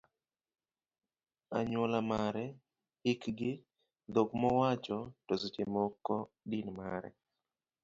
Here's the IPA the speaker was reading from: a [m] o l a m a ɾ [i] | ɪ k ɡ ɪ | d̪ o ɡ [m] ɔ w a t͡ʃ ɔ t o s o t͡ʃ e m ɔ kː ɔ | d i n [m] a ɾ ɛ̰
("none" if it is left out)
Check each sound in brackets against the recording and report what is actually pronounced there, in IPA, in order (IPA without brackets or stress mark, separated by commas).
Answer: ɲ, ɛ, m, m